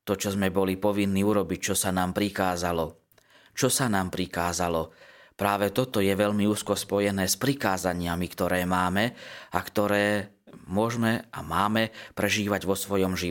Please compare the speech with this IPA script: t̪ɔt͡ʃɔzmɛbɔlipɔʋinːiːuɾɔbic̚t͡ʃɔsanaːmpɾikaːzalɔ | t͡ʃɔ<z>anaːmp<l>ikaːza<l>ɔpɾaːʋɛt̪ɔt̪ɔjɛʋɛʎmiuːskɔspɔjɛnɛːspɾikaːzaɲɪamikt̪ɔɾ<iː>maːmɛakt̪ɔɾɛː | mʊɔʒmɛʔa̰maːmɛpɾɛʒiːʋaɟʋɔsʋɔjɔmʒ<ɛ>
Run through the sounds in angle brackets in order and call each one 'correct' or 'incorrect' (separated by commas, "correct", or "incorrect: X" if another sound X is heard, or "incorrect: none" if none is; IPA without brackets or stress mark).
incorrect: s, incorrect: ɾ, correct, incorrect: ɛː, incorrect: i